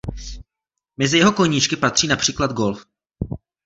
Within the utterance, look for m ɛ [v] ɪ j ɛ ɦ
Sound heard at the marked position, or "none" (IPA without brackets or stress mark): z